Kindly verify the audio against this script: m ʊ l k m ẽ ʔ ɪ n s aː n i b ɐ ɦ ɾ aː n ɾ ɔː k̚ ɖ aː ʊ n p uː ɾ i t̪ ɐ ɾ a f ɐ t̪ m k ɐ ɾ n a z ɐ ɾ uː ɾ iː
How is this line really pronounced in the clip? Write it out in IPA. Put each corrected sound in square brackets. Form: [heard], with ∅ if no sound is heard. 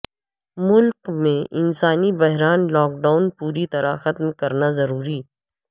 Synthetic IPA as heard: m ʊ l k m ẽ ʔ ɪ n s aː n i b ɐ ɦ ɾ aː n [l] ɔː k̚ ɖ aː ʊ n p uː ɾ i t̪ ɐ ɾ a [x] ɐ t̪ m k ɐ ɾ n a z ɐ ɾ uː ɾ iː